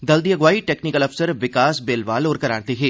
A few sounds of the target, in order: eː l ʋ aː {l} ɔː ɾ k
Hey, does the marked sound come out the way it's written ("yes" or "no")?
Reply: yes